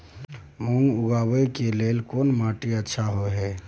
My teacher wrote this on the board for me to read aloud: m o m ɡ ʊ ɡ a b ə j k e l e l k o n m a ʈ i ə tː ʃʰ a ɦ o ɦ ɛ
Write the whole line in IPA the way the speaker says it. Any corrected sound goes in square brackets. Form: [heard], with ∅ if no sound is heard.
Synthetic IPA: m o [ŋ] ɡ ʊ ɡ a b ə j k e l e l k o n m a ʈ i ə tː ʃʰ a ɦ o ɦ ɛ